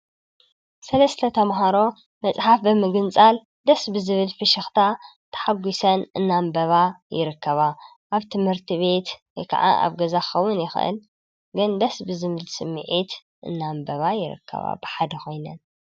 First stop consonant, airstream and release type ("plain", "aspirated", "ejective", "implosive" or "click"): aspirated